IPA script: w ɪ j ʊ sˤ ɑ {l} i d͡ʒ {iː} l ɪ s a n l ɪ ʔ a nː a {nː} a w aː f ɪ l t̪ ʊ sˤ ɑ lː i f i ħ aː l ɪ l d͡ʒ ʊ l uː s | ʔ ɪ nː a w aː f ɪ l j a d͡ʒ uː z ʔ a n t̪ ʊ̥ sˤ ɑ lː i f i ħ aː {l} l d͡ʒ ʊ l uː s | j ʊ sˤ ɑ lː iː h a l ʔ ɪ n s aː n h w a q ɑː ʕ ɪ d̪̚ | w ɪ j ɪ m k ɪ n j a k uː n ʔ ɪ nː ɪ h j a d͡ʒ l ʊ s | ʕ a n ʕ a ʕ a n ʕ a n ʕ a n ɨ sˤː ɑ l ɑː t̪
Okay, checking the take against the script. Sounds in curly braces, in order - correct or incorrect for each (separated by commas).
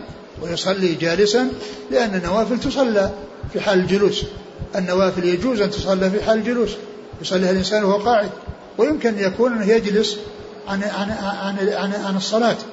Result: incorrect, incorrect, correct, correct